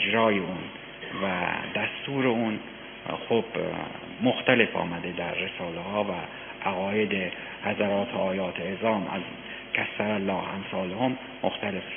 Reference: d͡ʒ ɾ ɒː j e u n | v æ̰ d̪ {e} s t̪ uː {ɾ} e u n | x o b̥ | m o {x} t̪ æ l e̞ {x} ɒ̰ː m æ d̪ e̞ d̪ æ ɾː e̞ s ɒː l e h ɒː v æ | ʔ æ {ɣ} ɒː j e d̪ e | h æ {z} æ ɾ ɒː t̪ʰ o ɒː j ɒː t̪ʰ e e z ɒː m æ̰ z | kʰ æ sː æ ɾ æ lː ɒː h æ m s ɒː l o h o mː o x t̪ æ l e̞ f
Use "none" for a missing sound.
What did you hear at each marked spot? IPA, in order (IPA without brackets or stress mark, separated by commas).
æ, ɾ, x, f, ɣ, z